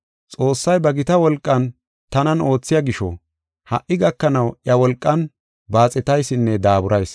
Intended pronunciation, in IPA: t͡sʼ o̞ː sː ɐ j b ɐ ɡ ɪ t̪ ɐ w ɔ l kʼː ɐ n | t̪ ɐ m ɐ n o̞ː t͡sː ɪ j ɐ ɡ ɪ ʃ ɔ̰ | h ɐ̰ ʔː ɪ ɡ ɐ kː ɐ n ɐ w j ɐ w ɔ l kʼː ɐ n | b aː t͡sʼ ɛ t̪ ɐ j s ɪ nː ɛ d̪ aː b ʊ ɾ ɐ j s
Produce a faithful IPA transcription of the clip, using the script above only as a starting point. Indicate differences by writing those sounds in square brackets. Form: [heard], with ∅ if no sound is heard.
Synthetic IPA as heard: t͡sʼ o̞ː sː ɐ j b ɐ ɡ ɪ t̪ ɐ w ɔ l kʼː ɐ n | t̪ ɐ [n] ɐ n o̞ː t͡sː ɪ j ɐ ɡ ɪ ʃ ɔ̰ | h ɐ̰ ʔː ɪ ɡ ɐ kː ɐ n ɐ w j ɐ w ɔ l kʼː ɐ n | b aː t͡sʼ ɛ t̪ ɐ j s ɪ nː ɛ d̪ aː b ʊ ɾ ɐ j s